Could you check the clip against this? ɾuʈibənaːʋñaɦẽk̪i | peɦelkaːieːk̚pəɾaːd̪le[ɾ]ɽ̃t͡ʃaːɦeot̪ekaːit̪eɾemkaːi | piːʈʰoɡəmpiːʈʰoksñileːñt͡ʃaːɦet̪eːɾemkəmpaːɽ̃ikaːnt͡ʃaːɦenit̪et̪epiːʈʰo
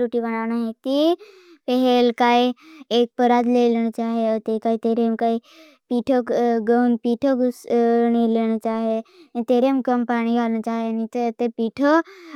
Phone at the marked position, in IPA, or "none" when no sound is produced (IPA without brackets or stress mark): l